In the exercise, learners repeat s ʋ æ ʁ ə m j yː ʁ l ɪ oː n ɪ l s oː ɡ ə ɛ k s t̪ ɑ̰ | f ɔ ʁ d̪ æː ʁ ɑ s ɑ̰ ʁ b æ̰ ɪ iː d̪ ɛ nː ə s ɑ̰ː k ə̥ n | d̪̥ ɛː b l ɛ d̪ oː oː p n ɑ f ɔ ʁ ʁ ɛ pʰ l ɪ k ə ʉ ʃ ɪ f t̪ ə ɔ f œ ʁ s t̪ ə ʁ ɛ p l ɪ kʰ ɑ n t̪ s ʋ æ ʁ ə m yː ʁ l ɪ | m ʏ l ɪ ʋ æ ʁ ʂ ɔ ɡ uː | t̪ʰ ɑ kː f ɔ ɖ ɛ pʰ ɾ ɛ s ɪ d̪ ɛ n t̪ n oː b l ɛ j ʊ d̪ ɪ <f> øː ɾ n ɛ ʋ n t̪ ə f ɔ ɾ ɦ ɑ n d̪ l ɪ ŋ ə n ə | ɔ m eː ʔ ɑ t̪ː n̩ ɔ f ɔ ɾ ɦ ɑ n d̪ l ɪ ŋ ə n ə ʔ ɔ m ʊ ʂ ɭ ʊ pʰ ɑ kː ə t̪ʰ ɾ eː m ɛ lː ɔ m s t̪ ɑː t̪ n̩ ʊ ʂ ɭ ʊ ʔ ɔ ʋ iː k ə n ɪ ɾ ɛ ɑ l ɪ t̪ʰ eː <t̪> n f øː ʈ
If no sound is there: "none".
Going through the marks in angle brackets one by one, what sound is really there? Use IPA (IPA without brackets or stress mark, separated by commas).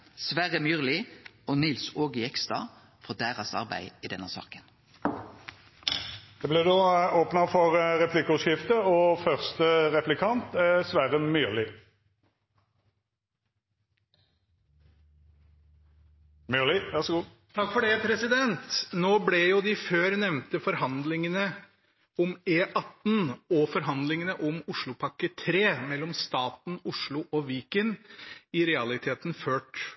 f, t̪